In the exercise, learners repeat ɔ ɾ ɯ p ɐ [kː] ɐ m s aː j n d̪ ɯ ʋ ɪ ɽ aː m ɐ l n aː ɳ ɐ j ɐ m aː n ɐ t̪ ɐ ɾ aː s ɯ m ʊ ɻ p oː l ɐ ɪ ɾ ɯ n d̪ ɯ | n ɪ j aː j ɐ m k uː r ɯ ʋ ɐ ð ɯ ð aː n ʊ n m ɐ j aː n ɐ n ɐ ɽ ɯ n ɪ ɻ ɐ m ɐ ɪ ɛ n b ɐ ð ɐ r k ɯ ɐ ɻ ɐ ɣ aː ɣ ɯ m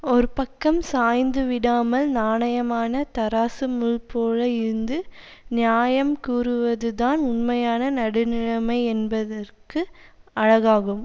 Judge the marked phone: correct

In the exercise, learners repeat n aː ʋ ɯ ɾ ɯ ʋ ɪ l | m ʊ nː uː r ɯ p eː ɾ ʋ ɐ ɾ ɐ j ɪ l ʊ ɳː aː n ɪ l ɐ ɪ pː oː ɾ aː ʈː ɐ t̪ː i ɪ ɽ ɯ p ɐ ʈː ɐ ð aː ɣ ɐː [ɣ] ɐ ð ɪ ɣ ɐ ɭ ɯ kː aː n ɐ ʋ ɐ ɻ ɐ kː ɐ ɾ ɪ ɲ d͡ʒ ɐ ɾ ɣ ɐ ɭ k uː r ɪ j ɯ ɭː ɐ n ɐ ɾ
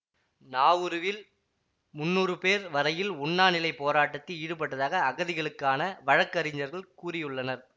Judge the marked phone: correct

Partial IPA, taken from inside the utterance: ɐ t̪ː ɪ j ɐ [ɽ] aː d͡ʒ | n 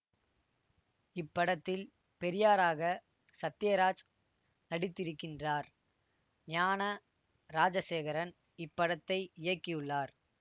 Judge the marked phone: incorrect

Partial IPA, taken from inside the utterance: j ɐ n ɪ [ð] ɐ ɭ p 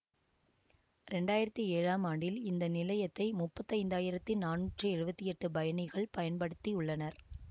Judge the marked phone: incorrect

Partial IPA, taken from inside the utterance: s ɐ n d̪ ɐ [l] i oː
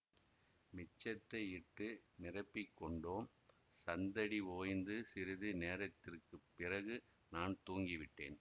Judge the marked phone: incorrect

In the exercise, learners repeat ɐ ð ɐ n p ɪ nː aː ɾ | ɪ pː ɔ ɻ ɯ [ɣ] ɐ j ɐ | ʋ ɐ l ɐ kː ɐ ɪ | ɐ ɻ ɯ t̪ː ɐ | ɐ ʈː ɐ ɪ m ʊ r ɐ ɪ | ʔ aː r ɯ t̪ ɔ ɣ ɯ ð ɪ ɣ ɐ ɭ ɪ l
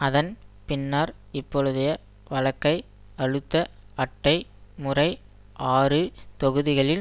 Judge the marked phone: incorrect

